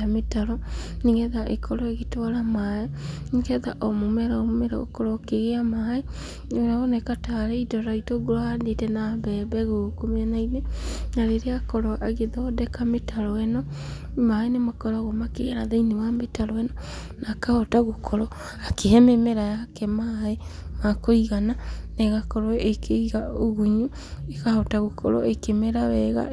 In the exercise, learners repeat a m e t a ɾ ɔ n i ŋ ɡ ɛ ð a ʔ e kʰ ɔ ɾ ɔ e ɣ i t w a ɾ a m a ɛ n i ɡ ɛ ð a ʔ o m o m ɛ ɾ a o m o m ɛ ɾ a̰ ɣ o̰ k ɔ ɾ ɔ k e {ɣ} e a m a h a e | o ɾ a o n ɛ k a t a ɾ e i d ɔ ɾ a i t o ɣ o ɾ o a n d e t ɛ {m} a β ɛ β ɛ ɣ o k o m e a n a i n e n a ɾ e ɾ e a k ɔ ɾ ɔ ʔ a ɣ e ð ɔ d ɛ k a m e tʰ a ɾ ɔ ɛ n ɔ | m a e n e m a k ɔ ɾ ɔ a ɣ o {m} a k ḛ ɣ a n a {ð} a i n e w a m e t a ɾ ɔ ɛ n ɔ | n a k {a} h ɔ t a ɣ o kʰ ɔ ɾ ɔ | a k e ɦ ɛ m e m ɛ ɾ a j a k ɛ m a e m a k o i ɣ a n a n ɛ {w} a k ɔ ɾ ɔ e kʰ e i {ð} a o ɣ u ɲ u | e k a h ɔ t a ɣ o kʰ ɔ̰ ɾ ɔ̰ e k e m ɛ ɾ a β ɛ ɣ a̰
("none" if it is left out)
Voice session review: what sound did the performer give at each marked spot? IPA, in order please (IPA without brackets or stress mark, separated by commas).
ɣ, n, m, ð, a, ɣ, ɣ